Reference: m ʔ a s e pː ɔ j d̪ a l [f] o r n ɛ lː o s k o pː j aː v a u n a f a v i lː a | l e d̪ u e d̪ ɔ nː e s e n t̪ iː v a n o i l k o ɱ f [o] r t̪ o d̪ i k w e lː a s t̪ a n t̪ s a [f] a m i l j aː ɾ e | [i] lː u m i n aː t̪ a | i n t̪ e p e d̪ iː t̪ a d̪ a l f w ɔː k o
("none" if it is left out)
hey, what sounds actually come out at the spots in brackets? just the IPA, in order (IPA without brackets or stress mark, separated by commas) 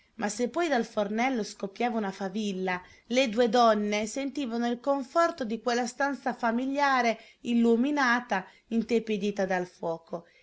f, ɔ, f, i